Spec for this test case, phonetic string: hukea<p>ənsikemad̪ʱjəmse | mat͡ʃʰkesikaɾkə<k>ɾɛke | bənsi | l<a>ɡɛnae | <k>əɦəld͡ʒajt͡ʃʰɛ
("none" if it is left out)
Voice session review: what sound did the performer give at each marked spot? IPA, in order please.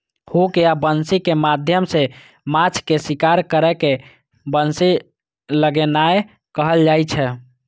b, none, ə, k

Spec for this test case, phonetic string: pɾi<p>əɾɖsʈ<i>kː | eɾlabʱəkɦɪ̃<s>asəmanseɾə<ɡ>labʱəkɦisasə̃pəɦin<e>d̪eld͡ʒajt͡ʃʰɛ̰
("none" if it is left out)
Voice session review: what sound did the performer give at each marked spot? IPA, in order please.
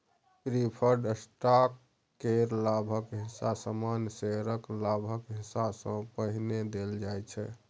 pʰ, a, s, k, e

